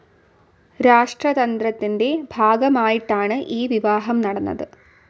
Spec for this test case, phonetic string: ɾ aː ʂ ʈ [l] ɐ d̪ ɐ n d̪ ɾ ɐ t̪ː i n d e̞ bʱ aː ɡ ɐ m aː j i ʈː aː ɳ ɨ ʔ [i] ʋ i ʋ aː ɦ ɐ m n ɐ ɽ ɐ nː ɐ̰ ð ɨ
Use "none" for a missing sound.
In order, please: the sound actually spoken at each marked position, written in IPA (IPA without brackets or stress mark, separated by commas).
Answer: r, iː